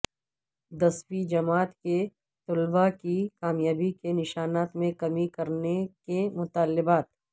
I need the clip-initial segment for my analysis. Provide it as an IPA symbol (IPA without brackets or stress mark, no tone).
d̪